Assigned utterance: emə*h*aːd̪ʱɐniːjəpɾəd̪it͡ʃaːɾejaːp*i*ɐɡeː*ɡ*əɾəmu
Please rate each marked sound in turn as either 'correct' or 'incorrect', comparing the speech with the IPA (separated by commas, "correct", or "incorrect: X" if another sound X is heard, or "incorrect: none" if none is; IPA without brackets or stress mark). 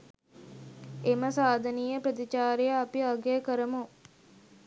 incorrect: s, correct, incorrect: k